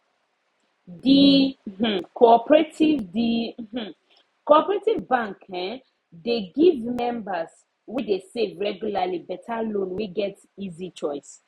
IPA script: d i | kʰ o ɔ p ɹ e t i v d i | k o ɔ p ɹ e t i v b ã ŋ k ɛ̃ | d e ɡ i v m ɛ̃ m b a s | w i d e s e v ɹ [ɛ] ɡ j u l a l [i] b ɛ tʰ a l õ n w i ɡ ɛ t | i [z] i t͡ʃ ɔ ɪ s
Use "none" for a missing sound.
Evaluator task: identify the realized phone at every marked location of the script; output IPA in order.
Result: ɛ, i, z

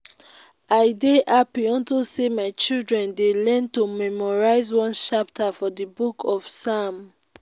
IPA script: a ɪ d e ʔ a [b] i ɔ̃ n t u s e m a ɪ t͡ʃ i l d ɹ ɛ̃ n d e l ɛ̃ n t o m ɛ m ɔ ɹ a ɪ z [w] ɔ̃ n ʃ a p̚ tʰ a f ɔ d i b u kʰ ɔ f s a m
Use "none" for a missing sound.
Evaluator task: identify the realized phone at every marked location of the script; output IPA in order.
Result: p, w

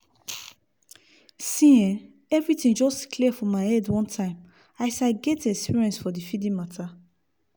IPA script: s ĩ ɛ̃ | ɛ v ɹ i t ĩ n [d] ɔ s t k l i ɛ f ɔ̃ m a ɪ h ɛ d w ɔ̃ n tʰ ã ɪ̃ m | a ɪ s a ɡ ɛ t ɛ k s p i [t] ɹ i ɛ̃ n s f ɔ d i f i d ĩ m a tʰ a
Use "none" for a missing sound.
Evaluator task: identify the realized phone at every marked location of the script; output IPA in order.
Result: d͡ʒ, none

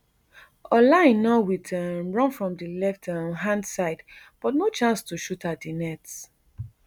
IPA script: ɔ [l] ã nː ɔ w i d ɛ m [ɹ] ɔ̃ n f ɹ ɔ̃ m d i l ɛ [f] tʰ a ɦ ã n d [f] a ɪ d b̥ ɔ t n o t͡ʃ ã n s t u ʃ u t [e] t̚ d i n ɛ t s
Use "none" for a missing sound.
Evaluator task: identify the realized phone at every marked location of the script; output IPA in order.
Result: l, ɹ, f, s, a

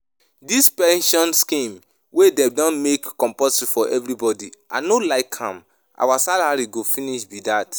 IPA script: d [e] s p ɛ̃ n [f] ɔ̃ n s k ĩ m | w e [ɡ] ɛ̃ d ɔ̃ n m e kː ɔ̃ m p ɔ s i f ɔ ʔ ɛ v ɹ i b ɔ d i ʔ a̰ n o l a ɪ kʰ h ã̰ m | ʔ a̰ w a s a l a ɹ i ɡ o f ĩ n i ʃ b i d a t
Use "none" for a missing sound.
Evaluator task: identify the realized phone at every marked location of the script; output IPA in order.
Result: i, ʃ, d

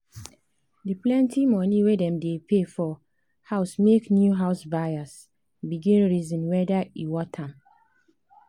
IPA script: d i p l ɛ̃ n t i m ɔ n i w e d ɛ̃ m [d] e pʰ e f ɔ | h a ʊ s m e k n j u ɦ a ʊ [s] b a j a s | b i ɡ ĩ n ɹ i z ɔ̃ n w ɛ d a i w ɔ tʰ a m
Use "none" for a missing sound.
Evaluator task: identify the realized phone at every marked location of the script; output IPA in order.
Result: d, s

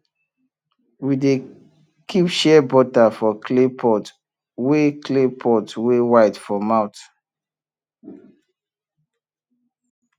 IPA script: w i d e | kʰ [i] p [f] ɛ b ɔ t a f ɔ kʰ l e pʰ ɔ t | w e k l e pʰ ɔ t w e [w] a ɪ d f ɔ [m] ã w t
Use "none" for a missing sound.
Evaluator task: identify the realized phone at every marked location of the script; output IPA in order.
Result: i, ʃ, w, m

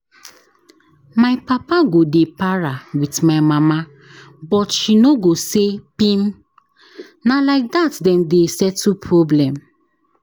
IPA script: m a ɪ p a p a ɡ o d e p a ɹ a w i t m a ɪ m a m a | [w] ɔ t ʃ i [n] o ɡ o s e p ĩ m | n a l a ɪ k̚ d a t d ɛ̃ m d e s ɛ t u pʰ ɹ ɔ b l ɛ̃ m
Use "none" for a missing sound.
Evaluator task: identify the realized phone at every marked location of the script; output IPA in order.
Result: b, n

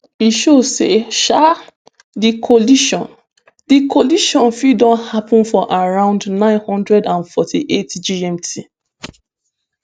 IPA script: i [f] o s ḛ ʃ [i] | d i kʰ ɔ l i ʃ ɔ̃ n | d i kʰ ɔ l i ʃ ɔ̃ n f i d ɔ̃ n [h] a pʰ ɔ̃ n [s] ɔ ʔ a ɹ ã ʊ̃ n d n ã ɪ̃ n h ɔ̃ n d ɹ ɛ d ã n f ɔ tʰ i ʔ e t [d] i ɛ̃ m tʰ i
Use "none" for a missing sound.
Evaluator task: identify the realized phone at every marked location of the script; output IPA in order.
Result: ʃ, a, h, f, d͡ʒ

